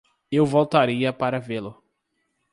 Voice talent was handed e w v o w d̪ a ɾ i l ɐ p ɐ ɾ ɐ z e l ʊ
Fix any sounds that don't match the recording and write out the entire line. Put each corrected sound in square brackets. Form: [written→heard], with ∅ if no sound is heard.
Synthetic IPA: e w v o w [d̪→t̪] a ɾ i [l→∅] ɐ p [ɐ→a] ɾ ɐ [z→v] e l ʊ

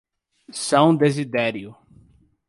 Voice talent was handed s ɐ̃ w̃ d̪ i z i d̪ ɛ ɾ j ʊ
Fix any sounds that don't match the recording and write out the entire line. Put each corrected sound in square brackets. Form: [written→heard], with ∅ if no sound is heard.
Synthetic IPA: s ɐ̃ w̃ d̪ [i→e] z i d̪ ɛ ɾ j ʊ

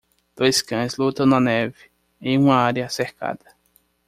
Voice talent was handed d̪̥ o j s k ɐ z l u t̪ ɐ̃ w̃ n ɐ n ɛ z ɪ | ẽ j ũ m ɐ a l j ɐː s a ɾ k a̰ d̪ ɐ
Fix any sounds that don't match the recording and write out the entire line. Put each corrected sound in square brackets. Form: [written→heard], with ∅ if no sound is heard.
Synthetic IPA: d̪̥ o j s k [ɐ→ɐ̃] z l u t̪ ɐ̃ w̃ n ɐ n ɛ [z→v] ɪ | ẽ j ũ m ɐ a [l→ɾ] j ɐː s [a→e] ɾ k a̰ d̪ ɐ

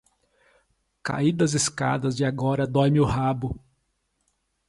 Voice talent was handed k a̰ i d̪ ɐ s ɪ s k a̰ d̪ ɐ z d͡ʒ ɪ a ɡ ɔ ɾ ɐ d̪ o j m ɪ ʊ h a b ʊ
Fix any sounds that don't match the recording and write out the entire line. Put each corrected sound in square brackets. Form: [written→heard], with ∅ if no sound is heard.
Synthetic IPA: k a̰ i d̪ ɐ [s→z] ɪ s k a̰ d̪ ɐ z d͡ʒ ɪ a ɡ ɔ ɾ ɐ d̪ [o→ɔ] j m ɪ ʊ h a b ʊ

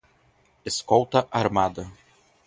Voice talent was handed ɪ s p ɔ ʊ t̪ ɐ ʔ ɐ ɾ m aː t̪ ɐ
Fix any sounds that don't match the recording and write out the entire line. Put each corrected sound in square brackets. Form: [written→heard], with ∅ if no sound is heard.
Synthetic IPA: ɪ s [p→k] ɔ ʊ t̪ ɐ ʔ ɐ ɾ m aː [t̪→d̪] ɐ

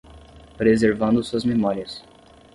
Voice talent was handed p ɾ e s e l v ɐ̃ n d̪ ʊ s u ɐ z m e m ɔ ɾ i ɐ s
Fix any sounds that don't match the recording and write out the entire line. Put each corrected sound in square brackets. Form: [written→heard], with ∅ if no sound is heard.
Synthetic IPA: p ɾ e [s→z] e [l→ɾ] v ɐ̃ n d̪ ʊ s u ɐ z m e m ɔ ɾ i ɐ s

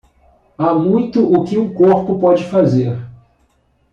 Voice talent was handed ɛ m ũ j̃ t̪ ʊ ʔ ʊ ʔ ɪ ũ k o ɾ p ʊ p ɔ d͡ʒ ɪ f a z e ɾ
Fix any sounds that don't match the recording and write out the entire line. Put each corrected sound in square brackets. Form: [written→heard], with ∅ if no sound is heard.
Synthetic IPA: [ɛ→a] m ũ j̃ t̪ ʊ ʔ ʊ [ʔ→k] ɪ ũ k o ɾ p ʊ p ɔ d͡ʒ ɪ f a z e ɾ

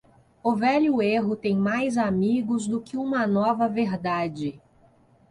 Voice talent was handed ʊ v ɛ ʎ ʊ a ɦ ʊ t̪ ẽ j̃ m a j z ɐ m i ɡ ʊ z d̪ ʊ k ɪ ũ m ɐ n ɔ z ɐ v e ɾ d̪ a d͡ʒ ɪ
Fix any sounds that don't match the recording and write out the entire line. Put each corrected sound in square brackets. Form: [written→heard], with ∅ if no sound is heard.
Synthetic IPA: ʊ v ɛ ʎ ʊ [a→e] ɦ ʊ t̪ ẽ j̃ m a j z [ɐ→a] m i ɡ ʊ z d̪ ʊ k ɪ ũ m ɐ n ɔ [z→v] ɐ v e ɾ d̪ a d͡ʒ ɪ

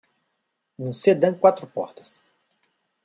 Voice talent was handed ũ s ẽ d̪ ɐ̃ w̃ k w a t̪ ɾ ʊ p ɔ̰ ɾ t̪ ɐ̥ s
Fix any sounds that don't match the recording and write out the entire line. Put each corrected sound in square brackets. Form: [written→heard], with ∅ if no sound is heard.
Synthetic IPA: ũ s [ẽ→e] d̪ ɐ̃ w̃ k w a t̪ ɾ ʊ p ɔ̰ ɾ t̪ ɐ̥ s

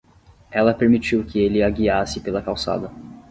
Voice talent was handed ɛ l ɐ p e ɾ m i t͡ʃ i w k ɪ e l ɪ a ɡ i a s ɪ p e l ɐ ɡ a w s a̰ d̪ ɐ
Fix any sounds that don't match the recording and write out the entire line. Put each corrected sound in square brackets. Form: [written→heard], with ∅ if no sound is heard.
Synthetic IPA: ɛ l ɐ p e ɾ m i t͡ʃ i w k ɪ e l ɪ a ɡ i a s ɪ p e l ɐ [ɡ→k] a w s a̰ d̪ ɐ

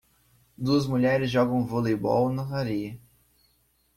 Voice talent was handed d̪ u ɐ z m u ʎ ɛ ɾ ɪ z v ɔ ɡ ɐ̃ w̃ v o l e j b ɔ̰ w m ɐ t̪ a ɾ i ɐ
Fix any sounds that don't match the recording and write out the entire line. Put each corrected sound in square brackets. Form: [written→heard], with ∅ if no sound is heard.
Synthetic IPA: d̪ u ɐ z m u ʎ ɛ ɾ ɪ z [v→ʒ] ɔ ɡ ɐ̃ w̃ v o l e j b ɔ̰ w [m→n] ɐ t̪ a ɾ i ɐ

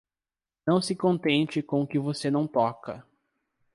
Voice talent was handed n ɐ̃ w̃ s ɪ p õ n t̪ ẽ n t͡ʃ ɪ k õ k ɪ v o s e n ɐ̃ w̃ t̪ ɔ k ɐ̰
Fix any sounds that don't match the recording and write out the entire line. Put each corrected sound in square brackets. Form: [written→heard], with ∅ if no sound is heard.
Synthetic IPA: n ɐ̃ w̃ s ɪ [p→k] õ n t̪ ẽ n t͡ʃ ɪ k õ k ɪ v o s e n ɐ̃ w̃ t̪ ɔ k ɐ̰

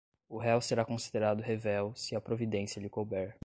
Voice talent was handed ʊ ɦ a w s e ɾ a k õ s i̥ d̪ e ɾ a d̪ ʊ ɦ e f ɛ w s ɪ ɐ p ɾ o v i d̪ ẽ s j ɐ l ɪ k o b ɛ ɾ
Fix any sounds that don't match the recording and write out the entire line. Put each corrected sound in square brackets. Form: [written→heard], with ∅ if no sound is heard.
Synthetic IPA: ʊ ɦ [a→ɛ] w s e ɾ a k õ s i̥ d̪ e ɾ a d̪ ʊ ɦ e [f→v] ɛ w s ɪ ɐ p ɾ o v i d̪ ẽ s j ɐ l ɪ k o b ɛ ɾ

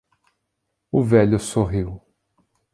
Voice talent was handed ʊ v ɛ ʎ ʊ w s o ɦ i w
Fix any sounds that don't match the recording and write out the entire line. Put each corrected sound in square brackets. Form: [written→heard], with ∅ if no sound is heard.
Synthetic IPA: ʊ v ɛ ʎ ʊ [w→∅] s o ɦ i w

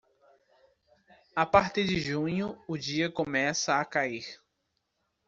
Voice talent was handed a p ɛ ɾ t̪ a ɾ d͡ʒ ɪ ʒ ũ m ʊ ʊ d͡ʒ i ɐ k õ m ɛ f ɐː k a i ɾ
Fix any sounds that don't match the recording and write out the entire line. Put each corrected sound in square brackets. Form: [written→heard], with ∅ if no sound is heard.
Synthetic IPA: a p [ɛ→a] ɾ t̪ [a→i] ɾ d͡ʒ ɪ ʒ ũ [m→ɲ] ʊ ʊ d͡ʒ i ɐ k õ m ɛ [f→s] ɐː k a i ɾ

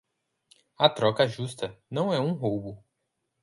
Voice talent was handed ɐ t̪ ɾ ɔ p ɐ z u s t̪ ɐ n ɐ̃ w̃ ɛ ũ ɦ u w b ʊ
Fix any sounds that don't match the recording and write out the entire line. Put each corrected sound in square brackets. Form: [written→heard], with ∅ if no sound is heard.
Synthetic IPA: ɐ t̪ ɾ ɔ [p→k] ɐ [z→ʒ] u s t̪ ɐ n ɐ̃ w̃ ɛ ũ ɦ [u→o] w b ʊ

